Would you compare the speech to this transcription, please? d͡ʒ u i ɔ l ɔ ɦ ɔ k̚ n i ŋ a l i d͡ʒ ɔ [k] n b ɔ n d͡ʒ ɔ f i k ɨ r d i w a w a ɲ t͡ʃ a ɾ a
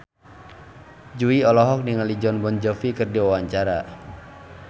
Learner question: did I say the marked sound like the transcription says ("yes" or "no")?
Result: no